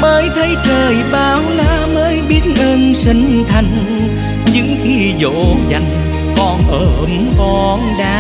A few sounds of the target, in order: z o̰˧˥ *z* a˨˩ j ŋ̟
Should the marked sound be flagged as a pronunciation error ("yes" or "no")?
no